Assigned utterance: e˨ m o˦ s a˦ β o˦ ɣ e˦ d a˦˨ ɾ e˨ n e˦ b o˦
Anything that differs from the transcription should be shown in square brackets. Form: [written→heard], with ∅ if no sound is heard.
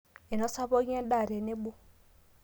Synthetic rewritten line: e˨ [m→n] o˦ s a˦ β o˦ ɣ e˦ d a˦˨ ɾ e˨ n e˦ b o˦